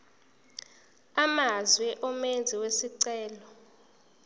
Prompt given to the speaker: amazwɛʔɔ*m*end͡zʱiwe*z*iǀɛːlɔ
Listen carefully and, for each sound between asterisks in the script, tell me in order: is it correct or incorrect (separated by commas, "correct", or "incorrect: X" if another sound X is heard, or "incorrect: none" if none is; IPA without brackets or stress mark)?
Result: correct, incorrect: s